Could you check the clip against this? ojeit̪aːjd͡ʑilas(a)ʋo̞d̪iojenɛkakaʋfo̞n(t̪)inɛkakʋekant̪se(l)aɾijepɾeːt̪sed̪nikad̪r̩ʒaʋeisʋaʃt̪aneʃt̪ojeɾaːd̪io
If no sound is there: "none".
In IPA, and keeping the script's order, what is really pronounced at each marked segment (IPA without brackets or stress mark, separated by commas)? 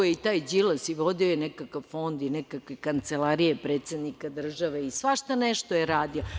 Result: i, d̪, l